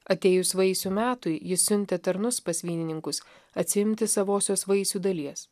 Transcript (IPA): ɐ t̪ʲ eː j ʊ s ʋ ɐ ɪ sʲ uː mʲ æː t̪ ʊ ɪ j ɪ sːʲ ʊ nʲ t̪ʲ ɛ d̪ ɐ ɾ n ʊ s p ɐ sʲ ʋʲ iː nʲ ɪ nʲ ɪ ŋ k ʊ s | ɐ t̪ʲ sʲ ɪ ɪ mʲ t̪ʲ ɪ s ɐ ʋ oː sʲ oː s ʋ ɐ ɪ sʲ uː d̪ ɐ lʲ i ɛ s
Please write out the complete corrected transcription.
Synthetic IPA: ɐ t̪ʲ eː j ʊ s ʋ ɐ ɪ sʲ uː mʲ æː t̪ ʊ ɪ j ɪ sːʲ ʊ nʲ t̪ʲ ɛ t̪ ɐ ɾ n ʊ s p ɐ sʲ ʋʲ iː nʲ ɪ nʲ ɪ ŋ k ʊ s | ɐ t̪ʲ sʲ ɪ ɪ mʲ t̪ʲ ɪ s ɐ ʋ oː sʲ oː s ʋ ɐ ɪ sʲ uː d̪ ɐ lʲ i ɛ s